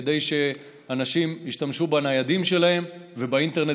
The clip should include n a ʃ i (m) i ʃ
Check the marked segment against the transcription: correct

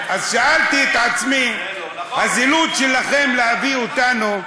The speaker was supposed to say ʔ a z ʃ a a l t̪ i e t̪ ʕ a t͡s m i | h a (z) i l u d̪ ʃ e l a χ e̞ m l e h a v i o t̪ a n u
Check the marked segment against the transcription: correct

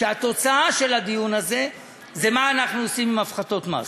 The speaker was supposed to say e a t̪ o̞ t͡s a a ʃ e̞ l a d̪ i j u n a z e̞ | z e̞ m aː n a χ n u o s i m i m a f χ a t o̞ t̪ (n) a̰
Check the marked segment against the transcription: incorrect: m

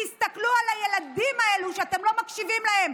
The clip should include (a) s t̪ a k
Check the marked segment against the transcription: incorrect: i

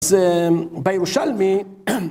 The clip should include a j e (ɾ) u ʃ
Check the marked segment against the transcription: correct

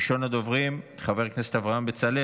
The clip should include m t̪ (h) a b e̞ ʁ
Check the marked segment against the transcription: incorrect: χ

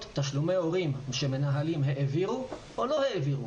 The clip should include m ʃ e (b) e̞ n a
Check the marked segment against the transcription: incorrect: m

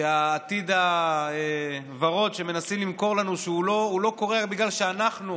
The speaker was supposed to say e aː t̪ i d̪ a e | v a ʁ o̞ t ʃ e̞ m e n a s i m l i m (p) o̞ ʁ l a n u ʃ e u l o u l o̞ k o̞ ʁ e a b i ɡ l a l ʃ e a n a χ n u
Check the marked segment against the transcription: incorrect: k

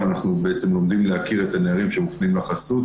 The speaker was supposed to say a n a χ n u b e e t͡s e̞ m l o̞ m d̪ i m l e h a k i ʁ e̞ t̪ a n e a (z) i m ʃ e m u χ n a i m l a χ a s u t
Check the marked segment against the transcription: incorrect: ʁ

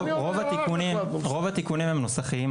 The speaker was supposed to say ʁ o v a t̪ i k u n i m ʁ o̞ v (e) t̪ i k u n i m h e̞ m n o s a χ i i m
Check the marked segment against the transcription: incorrect: a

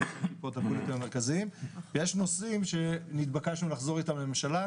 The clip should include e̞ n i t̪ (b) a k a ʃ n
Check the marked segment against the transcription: correct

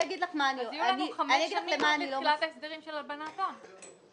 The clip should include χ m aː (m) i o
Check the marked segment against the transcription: incorrect: n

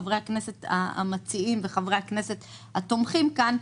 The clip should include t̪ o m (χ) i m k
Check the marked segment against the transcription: correct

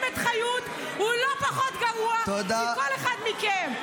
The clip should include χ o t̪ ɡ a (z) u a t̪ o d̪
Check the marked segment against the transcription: incorrect: ʁ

